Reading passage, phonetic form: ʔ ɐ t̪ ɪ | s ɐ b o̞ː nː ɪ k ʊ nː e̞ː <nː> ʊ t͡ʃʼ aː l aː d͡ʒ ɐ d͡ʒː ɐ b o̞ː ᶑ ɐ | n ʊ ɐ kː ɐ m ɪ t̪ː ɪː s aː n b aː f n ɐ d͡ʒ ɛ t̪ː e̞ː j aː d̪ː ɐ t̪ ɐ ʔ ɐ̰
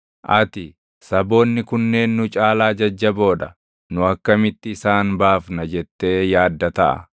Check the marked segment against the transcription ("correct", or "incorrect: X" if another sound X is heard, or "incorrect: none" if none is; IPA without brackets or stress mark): correct